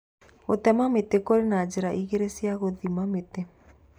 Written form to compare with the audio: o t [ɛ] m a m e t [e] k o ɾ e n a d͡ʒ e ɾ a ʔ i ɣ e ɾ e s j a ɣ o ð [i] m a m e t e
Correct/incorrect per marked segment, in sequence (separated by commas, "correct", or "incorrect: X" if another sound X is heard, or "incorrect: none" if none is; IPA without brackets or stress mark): correct, correct, correct